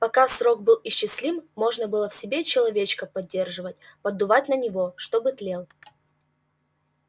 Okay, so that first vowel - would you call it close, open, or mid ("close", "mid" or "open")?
open